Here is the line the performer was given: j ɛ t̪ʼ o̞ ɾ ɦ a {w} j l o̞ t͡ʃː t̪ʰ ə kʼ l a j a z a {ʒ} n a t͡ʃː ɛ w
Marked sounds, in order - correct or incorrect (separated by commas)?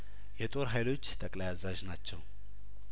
incorrect, correct